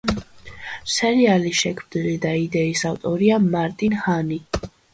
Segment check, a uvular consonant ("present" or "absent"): absent